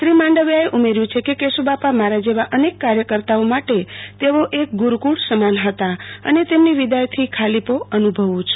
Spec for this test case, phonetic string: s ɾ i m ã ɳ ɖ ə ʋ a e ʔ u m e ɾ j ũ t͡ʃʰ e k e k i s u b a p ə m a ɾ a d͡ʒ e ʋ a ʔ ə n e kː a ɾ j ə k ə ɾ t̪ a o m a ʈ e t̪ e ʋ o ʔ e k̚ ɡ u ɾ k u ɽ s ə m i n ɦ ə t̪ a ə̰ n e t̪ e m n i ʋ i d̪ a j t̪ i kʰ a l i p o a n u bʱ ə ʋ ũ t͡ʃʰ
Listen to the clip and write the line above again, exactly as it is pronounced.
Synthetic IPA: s ɾ i m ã ɳ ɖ ə ʋ a e ʔ u m e ɾ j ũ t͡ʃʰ e k e k e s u b a p a m a ɾ a d͡ʒ e ʋ a ʔ ə n e kː a ɾ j ə k ə ɾ t̪ a o m a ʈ e t̪ e ʋ o ʔ e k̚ ɡ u ɾ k u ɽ s ə m a n ɦ ə t̪ a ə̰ n e t̪ e m n i ʋ i d̪ a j t̪ʰ i kʰ a l i p o ə n u bʱ ə ʋ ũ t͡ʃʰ